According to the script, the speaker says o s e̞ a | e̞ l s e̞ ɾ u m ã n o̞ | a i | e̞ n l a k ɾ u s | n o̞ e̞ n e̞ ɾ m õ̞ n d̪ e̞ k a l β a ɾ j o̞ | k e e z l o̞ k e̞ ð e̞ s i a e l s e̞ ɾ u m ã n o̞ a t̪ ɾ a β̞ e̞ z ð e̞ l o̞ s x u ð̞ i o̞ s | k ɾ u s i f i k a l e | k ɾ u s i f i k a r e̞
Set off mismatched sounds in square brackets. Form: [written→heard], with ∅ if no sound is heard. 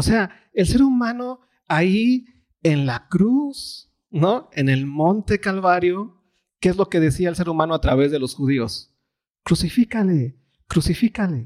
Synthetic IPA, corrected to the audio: o s e̞ a | e̞ l s e̞ ɾ u m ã n o̞ | a i | e̞ n l a k ɾ u s | n o̞ e̞ n e̞ [ɾ→l] m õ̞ n [d̪→t̪] e̞ k a l β a ɾ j o̞ | k e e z l o̞ k e̞ ð e̞ s i a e l s e̞ ɾ u m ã n o̞ a t̪ ɾ a β̞ e̞ z ð e̞ l o̞ s x u ð̞ i o̞ s | k ɾ u s i f i k a l e | k ɾ u s i f i k a [r→l] e̞